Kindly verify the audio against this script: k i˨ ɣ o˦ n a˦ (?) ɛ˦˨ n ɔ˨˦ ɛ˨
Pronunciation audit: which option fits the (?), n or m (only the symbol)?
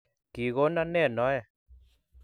n